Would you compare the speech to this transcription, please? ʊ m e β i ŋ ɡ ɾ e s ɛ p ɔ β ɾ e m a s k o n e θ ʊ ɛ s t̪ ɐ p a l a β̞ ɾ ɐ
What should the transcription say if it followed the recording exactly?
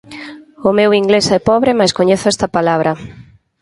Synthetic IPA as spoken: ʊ m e w i ŋ ɡ l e s ɛ p ɔ β ɾ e m a s k o ɲ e θ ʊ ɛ s t̪ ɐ p a l a β̞ ɾ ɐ